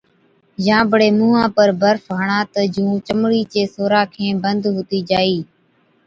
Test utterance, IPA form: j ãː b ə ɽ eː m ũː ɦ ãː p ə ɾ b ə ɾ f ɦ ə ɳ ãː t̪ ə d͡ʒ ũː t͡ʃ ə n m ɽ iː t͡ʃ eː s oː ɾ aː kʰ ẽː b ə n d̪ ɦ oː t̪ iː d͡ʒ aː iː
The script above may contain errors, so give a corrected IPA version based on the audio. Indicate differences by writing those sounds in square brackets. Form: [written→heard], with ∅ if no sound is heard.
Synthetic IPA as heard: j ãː b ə ɽ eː m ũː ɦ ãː p ə ɾ b ə ɾ f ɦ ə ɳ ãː t̪ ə d͡ʒ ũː t͡ʃ ə [n→∅] m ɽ iː t͡ʃ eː s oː ɾ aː kʰ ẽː b ə n d̪ ɦ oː t̪ iː d͡ʒ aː iː